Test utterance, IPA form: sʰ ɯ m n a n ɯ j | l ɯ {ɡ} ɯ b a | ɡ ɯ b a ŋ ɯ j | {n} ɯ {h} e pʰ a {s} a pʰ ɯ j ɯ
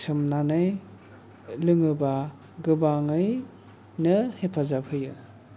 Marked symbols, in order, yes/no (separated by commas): no, yes, yes, no